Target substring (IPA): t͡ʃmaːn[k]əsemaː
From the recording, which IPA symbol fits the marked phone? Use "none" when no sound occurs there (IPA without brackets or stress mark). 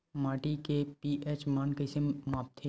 k